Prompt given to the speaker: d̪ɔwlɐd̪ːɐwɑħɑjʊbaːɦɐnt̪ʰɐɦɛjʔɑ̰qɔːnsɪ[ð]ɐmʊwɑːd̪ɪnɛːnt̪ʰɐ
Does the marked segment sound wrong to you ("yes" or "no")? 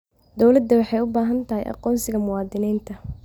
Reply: yes